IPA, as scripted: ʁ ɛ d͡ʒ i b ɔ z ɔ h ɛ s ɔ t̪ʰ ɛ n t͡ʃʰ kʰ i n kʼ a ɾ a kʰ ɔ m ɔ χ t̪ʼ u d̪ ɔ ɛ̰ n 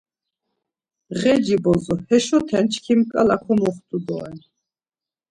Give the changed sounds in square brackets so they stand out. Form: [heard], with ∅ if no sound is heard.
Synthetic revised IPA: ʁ ɛ d͡ʒ i b ɔ z ɔ h ɛ [ʃ] ɔ t̪ʰ ɛ n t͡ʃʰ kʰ i [m] kʼ a [l] a kʰ ɔ m ɔ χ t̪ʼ u d̪ ɔ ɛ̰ n